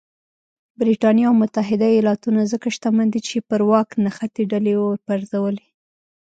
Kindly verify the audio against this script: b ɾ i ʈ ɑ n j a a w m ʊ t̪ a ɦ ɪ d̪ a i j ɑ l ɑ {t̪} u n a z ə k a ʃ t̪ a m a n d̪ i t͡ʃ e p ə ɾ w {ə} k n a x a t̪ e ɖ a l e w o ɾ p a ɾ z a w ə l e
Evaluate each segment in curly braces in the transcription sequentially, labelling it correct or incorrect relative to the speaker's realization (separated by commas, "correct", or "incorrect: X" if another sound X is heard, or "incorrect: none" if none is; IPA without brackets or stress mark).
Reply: correct, incorrect: ɑ